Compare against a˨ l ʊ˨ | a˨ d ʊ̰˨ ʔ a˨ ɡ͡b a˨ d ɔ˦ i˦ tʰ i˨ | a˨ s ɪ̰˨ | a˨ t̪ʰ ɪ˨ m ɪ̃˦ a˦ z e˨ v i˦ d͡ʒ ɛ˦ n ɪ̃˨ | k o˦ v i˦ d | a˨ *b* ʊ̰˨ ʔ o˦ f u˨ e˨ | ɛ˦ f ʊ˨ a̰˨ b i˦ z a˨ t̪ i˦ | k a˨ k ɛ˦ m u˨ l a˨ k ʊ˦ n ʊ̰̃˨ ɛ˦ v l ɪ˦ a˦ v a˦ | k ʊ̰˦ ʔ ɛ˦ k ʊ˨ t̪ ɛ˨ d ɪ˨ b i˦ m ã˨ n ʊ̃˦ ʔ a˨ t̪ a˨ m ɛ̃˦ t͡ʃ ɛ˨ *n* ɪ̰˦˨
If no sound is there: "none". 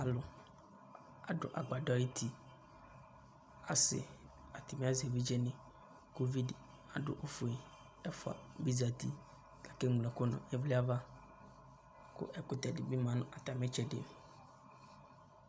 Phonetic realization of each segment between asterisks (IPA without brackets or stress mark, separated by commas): d, d